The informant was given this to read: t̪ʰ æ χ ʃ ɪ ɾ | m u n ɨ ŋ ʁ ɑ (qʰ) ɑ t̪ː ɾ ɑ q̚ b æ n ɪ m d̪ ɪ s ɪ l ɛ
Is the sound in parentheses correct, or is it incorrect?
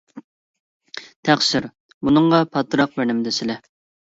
incorrect